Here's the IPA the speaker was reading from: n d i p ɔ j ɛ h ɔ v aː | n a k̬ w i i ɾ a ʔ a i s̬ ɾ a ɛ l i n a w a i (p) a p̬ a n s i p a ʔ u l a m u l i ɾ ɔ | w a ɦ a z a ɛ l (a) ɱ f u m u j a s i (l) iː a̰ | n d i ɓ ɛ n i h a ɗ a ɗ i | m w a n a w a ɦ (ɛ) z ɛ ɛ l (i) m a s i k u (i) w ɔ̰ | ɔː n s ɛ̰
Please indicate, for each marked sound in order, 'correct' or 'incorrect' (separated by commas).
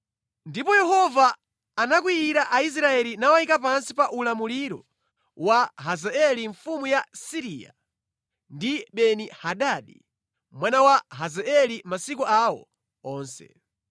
incorrect, incorrect, incorrect, incorrect, correct, incorrect